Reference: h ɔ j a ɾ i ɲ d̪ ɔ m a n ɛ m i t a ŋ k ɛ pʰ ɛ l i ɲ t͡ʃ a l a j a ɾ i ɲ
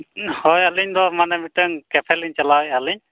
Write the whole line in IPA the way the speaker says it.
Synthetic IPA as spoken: h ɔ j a l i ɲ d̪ ɔ m a n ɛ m i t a ŋ k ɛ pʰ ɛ l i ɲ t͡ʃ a l a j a l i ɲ